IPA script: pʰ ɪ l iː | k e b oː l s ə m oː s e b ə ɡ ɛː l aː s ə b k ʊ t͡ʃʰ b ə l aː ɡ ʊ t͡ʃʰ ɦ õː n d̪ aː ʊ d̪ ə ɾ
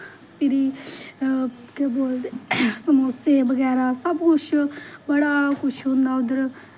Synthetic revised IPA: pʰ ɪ ɾ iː | k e b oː l s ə m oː s e b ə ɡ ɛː ɾ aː s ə b k ʊ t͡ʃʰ b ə ɽ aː k ʊ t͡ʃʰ ɦ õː n d̪ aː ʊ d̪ ə ɾ